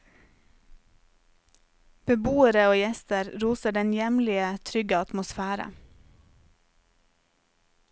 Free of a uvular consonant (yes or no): yes